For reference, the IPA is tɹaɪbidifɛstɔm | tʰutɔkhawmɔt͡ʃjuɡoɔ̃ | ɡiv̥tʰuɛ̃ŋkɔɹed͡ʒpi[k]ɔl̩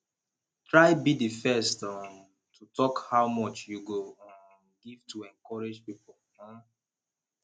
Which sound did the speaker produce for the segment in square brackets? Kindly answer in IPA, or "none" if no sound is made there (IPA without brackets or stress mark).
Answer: p